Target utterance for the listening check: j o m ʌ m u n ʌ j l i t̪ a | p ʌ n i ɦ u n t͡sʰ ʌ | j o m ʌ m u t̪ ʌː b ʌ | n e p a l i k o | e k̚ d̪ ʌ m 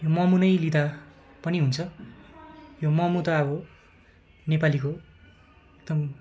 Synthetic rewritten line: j o m ʌ m u n ʌ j l i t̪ a | p ʌ n i ɦ u n t͡sʰ ʌ | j o m ʌ m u t̪ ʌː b ʌ | n e p a l i k o | e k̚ d̪ ʌ m